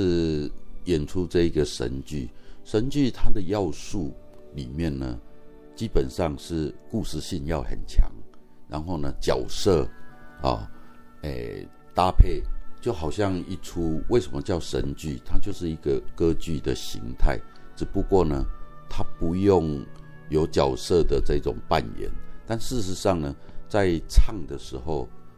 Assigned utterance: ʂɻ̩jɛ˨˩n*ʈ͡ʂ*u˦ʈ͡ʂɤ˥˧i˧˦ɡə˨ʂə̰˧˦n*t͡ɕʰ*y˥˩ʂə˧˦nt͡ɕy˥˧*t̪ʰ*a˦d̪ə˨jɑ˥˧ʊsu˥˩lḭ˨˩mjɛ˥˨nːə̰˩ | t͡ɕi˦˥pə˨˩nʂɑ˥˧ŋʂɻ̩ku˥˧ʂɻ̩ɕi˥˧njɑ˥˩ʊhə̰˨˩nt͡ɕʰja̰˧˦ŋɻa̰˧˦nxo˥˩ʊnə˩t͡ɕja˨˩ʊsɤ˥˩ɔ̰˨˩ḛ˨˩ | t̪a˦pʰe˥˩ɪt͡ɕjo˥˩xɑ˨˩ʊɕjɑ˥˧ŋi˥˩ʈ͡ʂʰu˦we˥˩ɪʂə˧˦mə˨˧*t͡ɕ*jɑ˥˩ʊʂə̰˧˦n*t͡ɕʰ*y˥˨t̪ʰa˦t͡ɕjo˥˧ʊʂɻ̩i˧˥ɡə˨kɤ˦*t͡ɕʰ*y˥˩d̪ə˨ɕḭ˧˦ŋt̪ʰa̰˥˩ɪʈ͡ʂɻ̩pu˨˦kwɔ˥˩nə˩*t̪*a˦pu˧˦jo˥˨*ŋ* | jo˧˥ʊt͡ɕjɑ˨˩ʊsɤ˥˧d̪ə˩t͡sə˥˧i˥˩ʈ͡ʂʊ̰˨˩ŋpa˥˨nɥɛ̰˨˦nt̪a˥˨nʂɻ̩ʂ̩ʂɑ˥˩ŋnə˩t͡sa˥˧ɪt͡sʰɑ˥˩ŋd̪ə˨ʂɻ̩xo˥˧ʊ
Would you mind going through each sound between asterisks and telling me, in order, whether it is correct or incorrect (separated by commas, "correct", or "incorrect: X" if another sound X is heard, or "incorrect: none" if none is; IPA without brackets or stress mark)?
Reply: incorrect: ʈ͡ʂʰ, incorrect: t͡ɕ, correct, correct, incorrect: t͡ɕ, incorrect: t͡ɕ, incorrect: t̪ʰ, correct